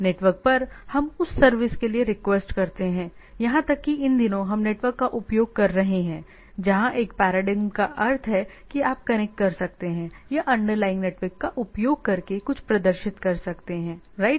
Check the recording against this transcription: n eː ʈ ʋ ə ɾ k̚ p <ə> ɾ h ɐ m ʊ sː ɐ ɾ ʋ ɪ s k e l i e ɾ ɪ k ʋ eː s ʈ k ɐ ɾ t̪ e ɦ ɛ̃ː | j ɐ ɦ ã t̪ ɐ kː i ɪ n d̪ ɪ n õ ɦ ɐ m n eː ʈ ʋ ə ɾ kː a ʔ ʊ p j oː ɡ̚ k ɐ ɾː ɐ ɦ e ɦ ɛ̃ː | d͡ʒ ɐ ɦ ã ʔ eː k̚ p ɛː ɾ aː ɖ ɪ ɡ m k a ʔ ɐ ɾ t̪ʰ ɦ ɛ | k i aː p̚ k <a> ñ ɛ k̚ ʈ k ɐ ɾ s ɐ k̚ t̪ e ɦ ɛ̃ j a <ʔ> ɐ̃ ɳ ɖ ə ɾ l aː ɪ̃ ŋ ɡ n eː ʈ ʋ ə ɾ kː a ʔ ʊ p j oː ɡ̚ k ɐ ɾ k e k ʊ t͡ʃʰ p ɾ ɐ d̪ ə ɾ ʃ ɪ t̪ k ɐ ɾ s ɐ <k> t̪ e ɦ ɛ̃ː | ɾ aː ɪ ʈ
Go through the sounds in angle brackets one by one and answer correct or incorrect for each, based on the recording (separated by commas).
incorrect, incorrect, correct, correct